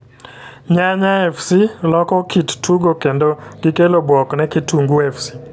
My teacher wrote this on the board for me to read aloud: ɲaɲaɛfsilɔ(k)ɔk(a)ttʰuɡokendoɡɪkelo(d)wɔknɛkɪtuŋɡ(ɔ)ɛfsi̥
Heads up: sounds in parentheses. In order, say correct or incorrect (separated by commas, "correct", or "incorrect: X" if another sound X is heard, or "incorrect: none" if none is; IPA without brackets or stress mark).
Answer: correct, incorrect: i, incorrect: b, incorrect: u